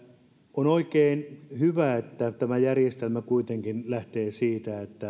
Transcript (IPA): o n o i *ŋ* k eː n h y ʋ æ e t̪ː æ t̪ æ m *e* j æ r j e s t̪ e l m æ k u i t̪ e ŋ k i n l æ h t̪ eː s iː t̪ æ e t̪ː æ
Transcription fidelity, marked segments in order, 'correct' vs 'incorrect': incorrect: none, incorrect: æ

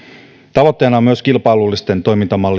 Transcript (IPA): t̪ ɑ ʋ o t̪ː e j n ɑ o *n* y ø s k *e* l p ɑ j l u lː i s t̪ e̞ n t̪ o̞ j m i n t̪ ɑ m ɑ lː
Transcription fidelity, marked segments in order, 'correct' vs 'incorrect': incorrect: m, incorrect: i

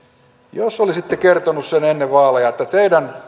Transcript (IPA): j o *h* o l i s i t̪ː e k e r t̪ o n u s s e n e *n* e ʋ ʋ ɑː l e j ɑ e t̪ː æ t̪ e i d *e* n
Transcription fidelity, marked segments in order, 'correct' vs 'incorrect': incorrect: s, incorrect: nː, incorrect: æ

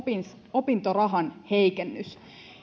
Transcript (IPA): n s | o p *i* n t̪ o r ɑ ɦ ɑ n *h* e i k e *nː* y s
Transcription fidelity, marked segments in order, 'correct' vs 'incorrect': correct, correct, correct

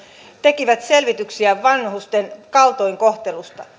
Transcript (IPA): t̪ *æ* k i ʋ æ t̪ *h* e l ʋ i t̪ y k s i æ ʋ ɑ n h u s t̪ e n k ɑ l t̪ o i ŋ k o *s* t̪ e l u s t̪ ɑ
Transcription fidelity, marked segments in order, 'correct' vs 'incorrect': incorrect: e, incorrect: s, incorrect: h

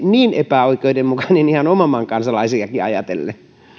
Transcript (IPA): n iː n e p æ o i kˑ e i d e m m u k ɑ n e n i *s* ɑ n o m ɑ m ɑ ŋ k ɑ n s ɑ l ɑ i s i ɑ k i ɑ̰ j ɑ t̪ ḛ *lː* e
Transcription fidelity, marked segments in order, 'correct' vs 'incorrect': incorrect: h, correct

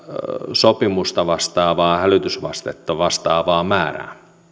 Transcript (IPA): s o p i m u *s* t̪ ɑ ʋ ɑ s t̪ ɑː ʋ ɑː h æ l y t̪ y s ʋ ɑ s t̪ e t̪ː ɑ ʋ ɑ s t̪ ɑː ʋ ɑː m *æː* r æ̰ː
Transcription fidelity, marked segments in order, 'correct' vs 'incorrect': correct, correct

